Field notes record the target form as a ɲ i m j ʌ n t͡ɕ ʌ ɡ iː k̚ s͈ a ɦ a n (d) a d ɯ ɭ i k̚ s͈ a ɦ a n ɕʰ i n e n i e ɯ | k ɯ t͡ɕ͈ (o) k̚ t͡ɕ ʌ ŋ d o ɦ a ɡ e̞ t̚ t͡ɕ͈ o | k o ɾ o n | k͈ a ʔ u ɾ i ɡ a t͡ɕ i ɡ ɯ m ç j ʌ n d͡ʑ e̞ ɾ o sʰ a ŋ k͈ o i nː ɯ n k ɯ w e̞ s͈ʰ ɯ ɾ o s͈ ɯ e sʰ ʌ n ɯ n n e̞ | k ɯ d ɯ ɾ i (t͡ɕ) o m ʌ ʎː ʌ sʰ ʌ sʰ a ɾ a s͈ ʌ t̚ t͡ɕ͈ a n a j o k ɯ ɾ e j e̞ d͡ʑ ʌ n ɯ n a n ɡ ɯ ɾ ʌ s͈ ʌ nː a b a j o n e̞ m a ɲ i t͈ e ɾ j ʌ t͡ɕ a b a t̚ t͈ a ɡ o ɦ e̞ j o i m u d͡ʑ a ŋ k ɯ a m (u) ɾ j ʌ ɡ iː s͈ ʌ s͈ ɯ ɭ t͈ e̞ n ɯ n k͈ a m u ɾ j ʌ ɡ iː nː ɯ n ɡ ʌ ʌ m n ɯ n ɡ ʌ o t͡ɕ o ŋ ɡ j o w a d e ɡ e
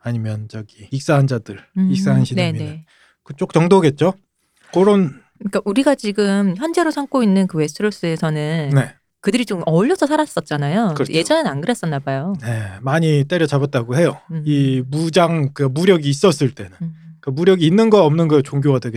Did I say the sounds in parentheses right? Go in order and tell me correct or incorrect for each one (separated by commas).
incorrect, correct, correct, correct